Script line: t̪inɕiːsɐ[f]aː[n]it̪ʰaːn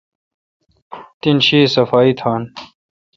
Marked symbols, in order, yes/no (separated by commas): yes, no